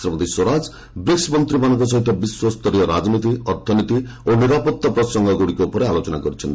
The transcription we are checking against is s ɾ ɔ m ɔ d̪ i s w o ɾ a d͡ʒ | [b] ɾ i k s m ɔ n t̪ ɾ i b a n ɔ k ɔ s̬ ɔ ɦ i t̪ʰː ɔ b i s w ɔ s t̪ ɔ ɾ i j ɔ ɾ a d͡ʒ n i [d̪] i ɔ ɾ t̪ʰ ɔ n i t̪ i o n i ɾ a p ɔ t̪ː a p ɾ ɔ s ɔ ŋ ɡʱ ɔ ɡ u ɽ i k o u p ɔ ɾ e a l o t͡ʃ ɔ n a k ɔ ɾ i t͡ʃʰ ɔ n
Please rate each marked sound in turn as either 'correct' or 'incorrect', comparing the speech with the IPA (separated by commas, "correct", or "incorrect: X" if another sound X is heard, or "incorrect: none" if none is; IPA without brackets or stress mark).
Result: correct, incorrect: t̪